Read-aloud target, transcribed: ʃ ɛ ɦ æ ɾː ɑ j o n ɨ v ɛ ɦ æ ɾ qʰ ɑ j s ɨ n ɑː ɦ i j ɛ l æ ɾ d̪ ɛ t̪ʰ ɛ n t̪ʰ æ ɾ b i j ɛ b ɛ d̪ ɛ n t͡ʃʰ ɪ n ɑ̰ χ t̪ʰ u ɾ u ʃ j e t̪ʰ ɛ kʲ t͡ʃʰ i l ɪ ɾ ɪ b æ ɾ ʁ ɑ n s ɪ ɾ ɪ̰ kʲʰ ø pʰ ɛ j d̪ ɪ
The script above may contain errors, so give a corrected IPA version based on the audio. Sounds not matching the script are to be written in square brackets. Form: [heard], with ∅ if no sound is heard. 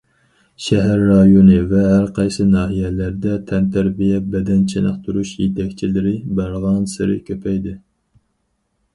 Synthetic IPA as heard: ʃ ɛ ɦ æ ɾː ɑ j o n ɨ v ɛ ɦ æ ɾ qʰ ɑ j s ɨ n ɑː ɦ i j ɛ l æ ɾ d̪ ɛ t̪ʰ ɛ n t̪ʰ æ ɾ b i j ɛ b ɛ d̪ ɛ n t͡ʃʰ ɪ n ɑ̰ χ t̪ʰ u ɾ u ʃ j e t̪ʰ ɛ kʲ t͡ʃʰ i l ɪ ɾ ɪ b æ ɾ ʁ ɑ n s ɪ ɾ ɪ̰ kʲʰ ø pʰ ɛ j d̪ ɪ

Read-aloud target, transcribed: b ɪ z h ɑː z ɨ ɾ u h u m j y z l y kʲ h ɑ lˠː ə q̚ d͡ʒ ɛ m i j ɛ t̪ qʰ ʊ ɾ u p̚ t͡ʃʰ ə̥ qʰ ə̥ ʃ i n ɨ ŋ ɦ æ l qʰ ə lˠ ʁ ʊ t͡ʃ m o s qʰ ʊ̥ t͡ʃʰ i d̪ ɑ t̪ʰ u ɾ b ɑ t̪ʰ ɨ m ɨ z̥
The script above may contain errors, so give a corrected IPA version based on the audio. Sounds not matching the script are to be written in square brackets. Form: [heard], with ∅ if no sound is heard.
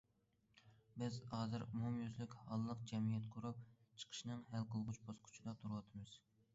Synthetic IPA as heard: b ɪ z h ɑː z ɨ ɾ u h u m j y z l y kʲ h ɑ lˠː ə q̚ d͡ʒ ɛ m i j ɛ t̪ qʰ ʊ ɾ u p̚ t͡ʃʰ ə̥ qʰ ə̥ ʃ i n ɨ ŋ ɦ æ l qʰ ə lˠ ʁ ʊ t͡ʃ [b] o s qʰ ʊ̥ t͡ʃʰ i d̪ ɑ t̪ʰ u ɾ [w] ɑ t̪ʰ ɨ m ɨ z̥

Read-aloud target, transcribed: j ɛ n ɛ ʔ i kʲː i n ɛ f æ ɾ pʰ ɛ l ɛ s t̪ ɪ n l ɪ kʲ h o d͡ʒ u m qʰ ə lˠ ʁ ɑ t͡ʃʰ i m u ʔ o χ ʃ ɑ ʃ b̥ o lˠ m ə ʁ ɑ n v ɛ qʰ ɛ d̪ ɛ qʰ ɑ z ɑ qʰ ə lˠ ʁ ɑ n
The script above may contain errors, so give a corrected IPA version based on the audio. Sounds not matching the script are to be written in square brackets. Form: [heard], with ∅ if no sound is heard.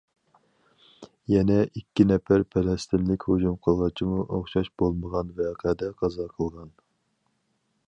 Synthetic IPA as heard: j ɛ n ɛ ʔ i kʲː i n ɛ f æ ɾ pʰ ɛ l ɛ s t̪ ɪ n l ɪ kʲ h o d͡ʒ u m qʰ ə lˠ ʁ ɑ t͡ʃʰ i m u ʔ o χ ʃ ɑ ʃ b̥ o lˠ m ə ʁ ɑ n v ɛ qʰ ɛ d̪ ɛ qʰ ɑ z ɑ qʰ ə lˠ ʁ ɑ n

